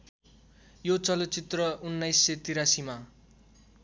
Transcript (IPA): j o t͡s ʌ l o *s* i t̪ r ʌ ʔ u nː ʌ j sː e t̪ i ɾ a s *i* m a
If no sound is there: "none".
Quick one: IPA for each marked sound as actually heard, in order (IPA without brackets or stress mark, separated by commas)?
t͡s, i